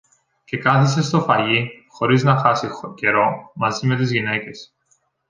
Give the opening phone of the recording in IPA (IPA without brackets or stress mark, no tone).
c